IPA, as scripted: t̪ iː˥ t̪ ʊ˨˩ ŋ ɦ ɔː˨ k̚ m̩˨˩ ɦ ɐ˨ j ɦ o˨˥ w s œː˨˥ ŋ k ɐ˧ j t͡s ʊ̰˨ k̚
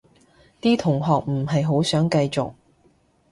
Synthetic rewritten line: t̪ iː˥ t̪ʰ ʊ˨˩ ŋ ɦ ɔː˨ k̚ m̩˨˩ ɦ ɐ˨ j ɦ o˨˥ w s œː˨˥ ŋ k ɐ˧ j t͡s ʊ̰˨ k̚